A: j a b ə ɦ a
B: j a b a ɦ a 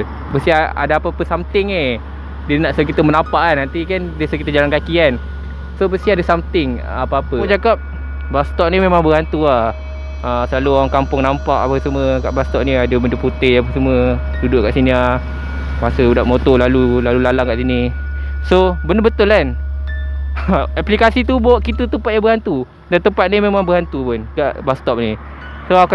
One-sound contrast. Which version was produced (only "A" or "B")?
A